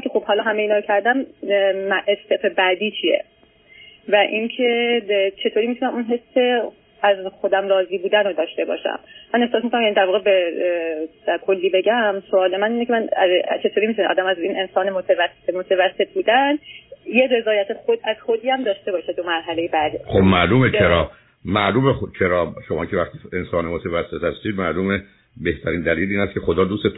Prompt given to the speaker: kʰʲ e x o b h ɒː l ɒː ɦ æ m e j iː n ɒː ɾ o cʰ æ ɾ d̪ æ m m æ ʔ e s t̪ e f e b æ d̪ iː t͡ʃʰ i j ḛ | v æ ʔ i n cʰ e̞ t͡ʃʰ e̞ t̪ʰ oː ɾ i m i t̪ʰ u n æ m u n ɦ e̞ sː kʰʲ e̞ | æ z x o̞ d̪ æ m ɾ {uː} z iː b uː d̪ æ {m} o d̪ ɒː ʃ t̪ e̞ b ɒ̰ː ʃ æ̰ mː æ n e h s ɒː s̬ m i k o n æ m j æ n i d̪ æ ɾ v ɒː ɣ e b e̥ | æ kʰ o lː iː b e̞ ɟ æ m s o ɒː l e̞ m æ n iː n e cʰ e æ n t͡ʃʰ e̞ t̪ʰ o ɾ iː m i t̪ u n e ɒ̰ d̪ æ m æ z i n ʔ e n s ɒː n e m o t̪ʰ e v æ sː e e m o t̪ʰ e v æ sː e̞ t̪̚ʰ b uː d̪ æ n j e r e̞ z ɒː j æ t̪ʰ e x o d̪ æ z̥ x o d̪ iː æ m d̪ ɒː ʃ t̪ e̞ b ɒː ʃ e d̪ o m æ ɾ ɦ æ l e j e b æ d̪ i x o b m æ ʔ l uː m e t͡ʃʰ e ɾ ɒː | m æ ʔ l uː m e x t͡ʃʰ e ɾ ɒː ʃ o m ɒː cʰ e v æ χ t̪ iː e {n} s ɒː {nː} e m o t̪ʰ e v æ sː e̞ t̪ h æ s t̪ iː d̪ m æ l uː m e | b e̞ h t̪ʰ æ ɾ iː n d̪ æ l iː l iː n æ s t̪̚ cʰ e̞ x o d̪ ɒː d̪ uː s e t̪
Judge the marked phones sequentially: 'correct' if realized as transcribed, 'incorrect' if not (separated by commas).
incorrect, incorrect, correct, incorrect